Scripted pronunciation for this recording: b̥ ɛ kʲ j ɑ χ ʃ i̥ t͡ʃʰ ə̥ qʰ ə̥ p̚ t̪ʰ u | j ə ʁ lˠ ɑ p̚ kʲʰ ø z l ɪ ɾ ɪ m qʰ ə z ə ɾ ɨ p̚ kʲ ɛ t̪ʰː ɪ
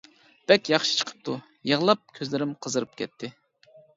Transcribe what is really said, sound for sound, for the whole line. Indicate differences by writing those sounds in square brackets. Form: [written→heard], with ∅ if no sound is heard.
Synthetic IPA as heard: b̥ ɛ kʲ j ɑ χ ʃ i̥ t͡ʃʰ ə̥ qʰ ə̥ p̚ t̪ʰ u | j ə ʁ lˠ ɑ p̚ kʲʰ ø z l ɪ ɾ ɪ m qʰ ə z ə ɾ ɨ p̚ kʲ ɛ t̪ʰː ɪ

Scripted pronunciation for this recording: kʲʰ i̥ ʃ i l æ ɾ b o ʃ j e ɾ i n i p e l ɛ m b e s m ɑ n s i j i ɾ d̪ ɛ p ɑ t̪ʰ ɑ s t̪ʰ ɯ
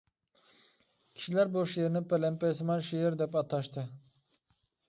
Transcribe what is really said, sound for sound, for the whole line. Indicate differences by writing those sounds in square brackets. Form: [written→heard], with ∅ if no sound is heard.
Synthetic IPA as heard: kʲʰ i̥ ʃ i l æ ɾ b o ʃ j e ɾ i n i p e l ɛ m [b→p] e s m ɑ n [s→ʃ] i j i ɾ d̪ ɛ p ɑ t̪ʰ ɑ [s→ʃ] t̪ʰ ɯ

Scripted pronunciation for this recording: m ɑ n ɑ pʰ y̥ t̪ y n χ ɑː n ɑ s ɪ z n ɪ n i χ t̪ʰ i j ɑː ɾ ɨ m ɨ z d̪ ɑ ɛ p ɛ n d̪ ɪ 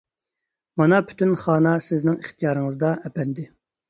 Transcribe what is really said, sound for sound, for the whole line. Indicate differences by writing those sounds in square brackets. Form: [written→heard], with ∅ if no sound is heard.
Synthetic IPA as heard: m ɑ n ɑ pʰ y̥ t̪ y n χ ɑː n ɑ s ɪ z n ɪ [n→ŋ] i χ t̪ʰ i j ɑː ɾ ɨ [m→ŋ] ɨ z d̪ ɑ ɛ p ɛ n d̪ ɪ

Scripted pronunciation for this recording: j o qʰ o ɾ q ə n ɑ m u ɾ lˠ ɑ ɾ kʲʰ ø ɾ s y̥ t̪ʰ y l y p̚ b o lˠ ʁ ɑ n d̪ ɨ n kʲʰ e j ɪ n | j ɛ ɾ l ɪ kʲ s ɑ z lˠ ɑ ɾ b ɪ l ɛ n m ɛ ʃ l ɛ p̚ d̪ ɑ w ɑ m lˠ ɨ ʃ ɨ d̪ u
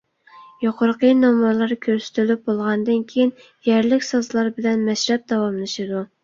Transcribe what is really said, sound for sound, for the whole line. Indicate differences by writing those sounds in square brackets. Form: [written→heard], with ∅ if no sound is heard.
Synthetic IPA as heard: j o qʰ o ɾ q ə n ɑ m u ɾ lˠ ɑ ɾ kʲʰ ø ɾ s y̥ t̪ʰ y l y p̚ b o lˠ ʁ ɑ n d̪ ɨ n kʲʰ e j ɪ n | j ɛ ɾ l ɪ kʲ s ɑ z lˠ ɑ ɾ b ɪ l ɛ n m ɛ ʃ [l→ɾ] ɛ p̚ d̪ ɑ w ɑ m lˠ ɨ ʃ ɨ d̪ u

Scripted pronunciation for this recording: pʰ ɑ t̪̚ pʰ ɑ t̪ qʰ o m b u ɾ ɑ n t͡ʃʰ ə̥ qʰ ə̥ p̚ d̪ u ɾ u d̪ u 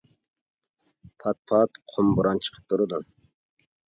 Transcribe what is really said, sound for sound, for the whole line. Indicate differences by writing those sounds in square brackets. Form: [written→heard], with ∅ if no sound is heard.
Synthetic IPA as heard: pʰ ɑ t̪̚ pʰ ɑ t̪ qʰ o m b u ɾ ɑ n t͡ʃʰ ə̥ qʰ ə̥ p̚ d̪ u ɾ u d̪ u

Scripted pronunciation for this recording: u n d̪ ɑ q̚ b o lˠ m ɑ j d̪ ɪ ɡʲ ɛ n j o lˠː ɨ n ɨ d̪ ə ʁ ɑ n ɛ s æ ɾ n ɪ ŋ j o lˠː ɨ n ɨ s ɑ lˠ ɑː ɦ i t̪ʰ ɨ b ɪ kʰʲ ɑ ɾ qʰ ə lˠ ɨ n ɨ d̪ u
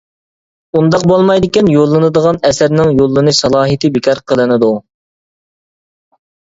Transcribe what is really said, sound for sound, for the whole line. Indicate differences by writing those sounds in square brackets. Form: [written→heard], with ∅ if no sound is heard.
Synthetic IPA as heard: u n d̪ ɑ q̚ b o lˠ m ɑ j d̪ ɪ [ɡʲ→kʲ] ɛ n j o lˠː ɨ n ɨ d̪ ə ʁ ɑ n ɛ s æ ɾ n ɪ ŋ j o lˠː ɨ n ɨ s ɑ lˠ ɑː ɦ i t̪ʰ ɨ b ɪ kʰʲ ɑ ɾ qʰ ə lˠ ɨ n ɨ d̪ u

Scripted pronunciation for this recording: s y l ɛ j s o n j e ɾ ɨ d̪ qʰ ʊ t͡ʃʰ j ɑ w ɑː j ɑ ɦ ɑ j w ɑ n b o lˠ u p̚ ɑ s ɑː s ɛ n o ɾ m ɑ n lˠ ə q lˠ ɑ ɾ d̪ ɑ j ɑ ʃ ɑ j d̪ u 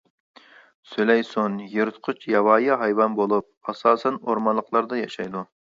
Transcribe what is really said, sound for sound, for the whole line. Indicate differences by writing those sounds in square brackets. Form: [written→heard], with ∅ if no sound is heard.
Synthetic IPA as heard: s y l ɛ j s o n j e ɾ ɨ [d̪→t̪] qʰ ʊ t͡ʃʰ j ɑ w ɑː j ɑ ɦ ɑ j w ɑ n b o lˠ u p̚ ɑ s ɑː s ɛ n o ɾ m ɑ n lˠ ə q lˠ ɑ ɾ d̪ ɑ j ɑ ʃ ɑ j d̪ u

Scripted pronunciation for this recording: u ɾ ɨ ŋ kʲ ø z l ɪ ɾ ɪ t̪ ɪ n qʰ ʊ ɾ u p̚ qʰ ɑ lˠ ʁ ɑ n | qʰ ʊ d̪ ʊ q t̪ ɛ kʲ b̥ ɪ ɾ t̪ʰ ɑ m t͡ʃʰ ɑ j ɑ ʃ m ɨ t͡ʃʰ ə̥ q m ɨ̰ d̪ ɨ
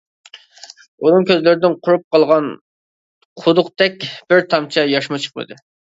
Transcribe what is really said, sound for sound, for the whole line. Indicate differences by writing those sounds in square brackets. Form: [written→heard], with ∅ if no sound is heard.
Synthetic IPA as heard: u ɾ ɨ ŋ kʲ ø z l ɪ ɾ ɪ [t̪→d̪] ɪ n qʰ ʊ ɾ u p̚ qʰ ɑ lˠ ʁ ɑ n | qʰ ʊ d̪ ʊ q t̪ ɛ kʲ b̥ ɪ ɾ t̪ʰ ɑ m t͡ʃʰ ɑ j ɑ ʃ m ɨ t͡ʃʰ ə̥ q m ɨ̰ d̪ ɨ

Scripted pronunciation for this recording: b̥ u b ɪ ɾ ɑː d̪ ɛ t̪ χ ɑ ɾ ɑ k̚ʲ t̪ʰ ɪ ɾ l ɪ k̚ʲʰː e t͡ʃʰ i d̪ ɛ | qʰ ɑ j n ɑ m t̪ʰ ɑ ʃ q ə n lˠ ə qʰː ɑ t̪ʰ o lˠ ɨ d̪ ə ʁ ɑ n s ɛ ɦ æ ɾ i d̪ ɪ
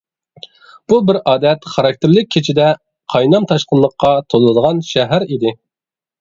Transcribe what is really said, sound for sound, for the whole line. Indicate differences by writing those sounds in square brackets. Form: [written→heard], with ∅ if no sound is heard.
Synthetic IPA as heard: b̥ u b ɪ ɾ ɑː d̪ ɛ t̪ χ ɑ ɾ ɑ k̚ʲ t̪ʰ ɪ ɾ l ɪ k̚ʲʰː e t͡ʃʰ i d̪ ɛ | qʰ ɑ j n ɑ m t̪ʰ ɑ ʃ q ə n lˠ ə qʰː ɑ t̪ʰ o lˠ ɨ d̪ ə ʁ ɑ n [s→ʃ] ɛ ɦ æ ɾ i d̪ ɪ

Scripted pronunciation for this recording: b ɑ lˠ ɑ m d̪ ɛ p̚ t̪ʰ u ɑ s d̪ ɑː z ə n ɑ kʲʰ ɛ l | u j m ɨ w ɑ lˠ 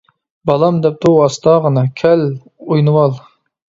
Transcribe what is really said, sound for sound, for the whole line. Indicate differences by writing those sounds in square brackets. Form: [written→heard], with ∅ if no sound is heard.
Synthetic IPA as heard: b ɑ lˠ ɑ m d̪ ɛ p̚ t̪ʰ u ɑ s [d̪→t̪] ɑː [z→ʁ] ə n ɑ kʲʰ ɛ l | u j [m→n] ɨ w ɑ lˠ

